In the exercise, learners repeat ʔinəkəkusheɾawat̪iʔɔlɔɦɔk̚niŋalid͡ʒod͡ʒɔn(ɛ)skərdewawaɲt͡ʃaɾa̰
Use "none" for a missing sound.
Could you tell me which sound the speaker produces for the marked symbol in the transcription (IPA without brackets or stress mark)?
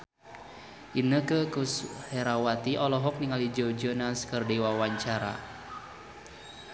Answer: a